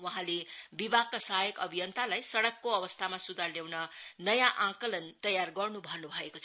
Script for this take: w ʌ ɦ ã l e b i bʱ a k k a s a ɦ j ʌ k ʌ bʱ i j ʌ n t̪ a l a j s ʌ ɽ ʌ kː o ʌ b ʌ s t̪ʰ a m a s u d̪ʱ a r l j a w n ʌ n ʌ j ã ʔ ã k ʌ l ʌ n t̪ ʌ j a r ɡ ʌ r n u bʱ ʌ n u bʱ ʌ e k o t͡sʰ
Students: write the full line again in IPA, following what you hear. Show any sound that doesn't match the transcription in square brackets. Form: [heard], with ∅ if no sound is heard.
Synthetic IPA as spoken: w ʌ ɦ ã l e b i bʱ a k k a s a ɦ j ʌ k ʌ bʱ i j ʌ n t̪ a l a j s ʌ ɽ ʌ kː o ʌ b ʌ s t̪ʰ a m a s u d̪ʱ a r l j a w n ʌ n ʌ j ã ʔ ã k ʌ l ʌ n t̪ ʌ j a r ɡ ʌ r n u bʱ ʌ n u bʱ ʌ e k o t͡sʰ